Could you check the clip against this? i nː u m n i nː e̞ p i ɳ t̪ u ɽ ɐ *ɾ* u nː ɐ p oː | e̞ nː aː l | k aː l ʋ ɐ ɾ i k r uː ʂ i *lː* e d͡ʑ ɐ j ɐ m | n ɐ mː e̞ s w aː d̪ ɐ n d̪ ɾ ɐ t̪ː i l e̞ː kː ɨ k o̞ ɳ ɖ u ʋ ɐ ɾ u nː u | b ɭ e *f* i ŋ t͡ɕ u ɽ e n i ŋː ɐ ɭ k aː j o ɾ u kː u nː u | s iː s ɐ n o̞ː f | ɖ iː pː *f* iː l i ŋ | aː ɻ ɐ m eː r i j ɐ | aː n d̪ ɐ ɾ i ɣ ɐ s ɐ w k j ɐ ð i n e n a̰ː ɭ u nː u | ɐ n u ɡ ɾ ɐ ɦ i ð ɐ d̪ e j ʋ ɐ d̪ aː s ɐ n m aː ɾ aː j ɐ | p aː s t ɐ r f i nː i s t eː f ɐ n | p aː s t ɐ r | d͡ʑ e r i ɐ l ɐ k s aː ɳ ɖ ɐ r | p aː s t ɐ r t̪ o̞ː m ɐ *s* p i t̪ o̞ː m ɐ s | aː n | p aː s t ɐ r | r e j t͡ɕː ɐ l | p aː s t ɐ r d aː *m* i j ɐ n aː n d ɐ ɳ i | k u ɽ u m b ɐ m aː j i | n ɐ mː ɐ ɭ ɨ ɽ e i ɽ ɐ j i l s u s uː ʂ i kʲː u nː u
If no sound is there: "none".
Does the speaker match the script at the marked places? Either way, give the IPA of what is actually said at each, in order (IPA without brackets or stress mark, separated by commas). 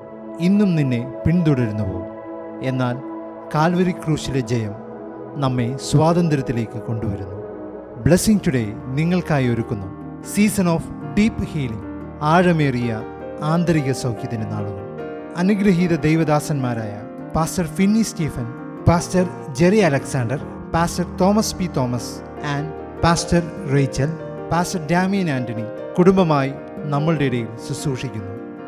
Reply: ɾ, l, s, h, s, m